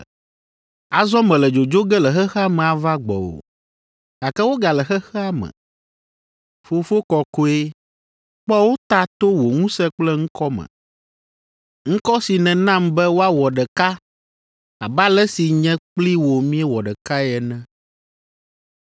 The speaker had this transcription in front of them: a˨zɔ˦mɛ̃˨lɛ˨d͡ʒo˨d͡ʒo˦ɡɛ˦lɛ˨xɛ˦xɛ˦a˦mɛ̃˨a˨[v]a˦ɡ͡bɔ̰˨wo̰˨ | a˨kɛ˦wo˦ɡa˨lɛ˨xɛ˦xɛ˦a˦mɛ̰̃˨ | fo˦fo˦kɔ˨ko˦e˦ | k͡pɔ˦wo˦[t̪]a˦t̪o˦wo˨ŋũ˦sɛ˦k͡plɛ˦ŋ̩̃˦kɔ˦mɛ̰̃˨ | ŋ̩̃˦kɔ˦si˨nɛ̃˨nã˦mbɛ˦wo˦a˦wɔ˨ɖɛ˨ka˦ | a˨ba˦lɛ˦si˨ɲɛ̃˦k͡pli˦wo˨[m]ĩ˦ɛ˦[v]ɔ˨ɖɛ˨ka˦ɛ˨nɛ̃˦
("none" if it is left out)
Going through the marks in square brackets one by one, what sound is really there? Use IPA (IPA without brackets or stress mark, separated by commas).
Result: v, t̪, m, w